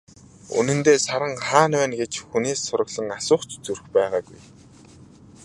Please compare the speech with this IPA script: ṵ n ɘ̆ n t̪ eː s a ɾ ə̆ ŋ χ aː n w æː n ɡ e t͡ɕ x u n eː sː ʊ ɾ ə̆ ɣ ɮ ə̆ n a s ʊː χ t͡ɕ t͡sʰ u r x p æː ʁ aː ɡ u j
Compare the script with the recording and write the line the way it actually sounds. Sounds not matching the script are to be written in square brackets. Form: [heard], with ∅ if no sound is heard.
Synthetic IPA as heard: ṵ n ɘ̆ n t̪ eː s a ɾ ə̆ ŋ χ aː n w æː n ɡ e t͡ɕ x u n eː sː ʊ ɾ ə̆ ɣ ɮ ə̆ [ŋ] a s ʊː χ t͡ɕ [t͡s] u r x p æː ʁ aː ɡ u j